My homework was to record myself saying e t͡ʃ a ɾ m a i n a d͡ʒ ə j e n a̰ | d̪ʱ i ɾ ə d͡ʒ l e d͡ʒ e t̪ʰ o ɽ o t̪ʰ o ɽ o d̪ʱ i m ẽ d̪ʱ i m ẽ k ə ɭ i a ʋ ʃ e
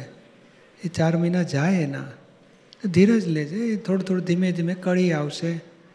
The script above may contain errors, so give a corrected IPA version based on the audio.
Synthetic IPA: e t͡ʃ a ɾ m ə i n a d͡ʒ a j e n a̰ | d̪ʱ i ɾ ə d͡ʒ l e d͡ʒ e t̪ʰ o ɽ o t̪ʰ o ɽ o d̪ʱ i m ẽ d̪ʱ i m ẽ k ə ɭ i a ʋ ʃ e